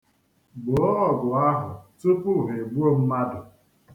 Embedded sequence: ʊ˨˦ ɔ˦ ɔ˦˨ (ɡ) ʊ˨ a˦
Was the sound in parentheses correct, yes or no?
yes